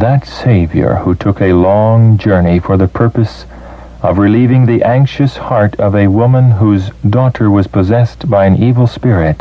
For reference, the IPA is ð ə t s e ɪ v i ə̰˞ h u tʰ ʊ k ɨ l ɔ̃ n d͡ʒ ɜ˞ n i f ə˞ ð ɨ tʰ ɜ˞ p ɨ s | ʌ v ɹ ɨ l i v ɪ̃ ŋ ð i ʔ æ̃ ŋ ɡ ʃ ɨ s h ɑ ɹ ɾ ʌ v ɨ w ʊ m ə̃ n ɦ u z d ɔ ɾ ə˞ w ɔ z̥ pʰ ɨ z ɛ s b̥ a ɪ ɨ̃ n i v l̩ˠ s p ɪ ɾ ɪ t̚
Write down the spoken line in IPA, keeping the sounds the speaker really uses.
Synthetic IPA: ð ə t s e ɪ v j ə̰˞ h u tʰ ʊ k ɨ l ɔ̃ ŋ d͡ʒ ɜ˞ n i f ə˞ ð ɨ pʰ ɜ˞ p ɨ s | ʌ v ɹ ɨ l i v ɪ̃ ŋ ð i ʔ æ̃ ŋ k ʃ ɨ s h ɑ ɹ ɾ ʌ v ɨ w ʊ m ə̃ n ɦ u z d ɔ ɾ ə˞ w ʌ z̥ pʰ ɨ z ɛ s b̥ a ɪ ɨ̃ n i v l̩ˠ s p ɪ ɹ ɪ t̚